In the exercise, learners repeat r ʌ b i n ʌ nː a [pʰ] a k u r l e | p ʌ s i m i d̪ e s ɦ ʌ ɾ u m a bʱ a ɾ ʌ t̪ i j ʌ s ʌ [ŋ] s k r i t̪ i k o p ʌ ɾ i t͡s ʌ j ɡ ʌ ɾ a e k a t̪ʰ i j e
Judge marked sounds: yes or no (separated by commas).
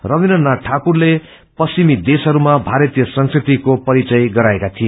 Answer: no, yes